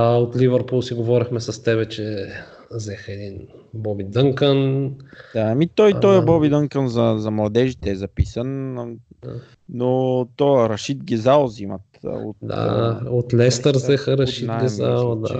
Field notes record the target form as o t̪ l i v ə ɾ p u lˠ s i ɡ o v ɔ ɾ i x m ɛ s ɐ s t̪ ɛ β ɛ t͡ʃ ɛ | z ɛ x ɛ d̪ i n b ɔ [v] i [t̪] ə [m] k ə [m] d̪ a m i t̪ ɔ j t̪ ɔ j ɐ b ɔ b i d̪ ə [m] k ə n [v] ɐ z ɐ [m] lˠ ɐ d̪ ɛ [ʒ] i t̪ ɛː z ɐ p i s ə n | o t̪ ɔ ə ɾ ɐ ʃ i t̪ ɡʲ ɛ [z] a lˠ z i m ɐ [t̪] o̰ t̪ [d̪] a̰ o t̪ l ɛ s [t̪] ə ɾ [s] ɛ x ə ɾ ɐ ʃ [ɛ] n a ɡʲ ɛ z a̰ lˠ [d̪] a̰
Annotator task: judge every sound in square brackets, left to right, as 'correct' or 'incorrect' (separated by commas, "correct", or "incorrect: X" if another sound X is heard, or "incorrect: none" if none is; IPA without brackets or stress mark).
incorrect: b, incorrect: d̪, incorrect: ŋ, incorrect: n, incorrect: ŋ, incorrect: z, correct, correct, correct, correct, correct, correct, incorrect: z, incorrect: i, correct